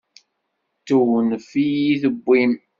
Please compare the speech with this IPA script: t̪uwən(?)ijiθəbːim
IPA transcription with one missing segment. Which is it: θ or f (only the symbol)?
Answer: f